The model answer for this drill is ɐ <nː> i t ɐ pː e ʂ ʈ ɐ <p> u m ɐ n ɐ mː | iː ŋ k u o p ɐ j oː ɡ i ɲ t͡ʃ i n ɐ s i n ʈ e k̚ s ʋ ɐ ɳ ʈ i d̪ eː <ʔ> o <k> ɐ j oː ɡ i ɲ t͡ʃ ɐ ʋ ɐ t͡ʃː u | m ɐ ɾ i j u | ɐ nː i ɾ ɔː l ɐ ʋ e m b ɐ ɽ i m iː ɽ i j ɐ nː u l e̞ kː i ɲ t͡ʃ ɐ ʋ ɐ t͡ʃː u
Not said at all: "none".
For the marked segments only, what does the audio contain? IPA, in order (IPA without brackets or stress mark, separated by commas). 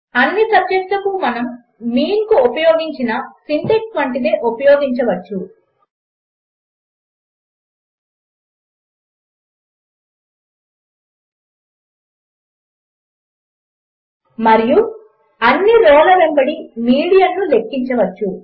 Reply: nː, k, ʔ, p